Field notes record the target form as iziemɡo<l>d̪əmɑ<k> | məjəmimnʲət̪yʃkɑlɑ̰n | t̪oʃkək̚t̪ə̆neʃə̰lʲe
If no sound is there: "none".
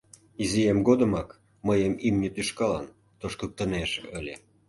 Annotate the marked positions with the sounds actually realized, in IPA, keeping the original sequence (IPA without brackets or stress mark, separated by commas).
none, k